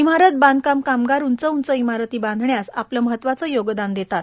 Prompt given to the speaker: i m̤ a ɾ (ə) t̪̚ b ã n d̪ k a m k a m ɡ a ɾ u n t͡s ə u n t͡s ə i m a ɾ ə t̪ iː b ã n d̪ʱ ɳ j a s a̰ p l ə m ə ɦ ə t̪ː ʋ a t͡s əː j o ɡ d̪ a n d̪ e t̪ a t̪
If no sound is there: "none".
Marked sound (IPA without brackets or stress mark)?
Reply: ə